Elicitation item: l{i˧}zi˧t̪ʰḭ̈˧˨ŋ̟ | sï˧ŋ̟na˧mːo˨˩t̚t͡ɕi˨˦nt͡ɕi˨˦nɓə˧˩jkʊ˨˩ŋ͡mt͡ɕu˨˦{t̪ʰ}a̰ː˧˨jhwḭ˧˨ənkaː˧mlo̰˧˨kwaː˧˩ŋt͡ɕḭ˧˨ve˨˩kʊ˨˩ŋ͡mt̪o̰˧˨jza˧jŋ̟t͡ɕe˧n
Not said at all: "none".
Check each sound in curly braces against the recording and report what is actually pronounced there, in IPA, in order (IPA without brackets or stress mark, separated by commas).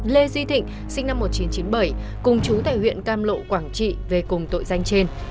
e˧, t̪